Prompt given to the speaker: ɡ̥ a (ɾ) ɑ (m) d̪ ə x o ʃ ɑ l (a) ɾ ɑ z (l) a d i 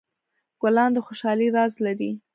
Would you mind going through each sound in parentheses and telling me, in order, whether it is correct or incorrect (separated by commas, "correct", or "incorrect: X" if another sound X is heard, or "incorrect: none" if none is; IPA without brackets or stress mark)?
incorrect: l, incorrect: n, incorrect: i, correct